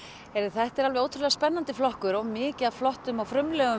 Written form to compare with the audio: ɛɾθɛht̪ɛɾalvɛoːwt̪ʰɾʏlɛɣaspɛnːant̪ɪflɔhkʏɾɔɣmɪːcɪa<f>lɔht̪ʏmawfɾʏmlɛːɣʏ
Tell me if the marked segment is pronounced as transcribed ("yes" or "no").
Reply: yes